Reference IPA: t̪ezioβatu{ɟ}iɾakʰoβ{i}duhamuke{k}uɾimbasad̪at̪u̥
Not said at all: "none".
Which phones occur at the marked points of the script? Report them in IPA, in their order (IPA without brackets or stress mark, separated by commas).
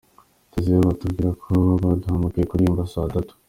ɡ, a, k